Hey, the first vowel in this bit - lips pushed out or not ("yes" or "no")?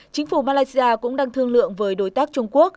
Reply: no